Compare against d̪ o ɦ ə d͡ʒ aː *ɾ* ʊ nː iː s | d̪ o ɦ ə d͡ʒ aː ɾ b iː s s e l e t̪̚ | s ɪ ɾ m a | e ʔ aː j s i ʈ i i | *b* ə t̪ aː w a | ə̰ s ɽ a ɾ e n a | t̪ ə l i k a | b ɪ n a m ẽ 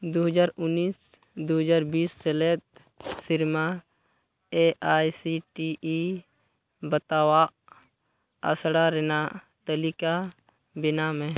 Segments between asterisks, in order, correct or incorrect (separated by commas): correct, correct